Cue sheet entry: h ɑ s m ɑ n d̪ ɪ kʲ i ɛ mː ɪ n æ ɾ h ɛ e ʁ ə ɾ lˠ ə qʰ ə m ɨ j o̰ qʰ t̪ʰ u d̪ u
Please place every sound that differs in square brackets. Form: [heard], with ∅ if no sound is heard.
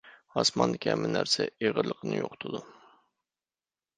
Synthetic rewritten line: h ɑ s m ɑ n d̪ ɪ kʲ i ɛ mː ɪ n æ ɾ [s] ɛ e ʁ ə ɾ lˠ ə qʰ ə [n] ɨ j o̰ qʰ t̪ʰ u d̪ u